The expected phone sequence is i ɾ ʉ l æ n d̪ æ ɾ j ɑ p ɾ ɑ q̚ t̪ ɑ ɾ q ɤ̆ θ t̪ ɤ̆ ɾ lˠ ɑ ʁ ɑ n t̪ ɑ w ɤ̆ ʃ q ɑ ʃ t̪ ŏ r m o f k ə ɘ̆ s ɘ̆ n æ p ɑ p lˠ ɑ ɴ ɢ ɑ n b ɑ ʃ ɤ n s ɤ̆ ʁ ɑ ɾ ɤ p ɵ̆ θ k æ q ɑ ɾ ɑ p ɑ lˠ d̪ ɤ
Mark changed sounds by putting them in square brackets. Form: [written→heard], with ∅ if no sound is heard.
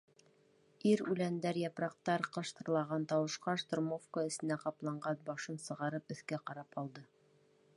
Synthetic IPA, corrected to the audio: i ɾ ʉ l æ n d̪ æ ɾ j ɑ p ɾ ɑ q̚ t̪ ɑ ɾ q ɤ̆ [θ→ʃ] t̪ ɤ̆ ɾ lˠ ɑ ʁ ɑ n t̪ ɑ w ɤ̆ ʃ q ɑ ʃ t̪ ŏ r m o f k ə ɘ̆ s ɘ̆ n æ [p→q] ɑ p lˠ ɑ ɴ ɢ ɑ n b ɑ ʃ ɤ n s ɤ̆ ʁ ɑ ɾ ɤ p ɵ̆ θ k æ q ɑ ɾ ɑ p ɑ lˠ d̪ ɤ